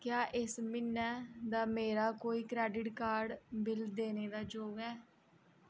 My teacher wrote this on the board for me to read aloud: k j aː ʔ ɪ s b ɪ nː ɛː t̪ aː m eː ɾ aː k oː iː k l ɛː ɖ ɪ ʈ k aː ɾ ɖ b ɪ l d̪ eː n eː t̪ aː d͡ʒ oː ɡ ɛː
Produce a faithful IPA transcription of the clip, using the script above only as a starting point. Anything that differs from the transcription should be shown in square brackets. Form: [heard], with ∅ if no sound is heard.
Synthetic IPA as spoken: k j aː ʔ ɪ s [m] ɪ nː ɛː [d̪] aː m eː ɾ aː k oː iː k [ɾ] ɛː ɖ ɪ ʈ k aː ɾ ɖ b ɪ l d̪ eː n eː [d̪] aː d͡ʒ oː ɡ ɛː